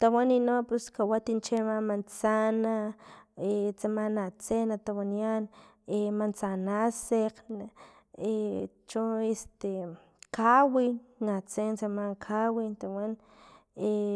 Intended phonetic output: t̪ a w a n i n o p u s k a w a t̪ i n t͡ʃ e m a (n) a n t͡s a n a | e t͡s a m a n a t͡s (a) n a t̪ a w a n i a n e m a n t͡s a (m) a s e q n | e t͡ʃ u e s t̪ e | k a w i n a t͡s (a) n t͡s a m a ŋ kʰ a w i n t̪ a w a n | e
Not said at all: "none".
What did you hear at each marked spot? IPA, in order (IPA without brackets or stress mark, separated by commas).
m, e, n, e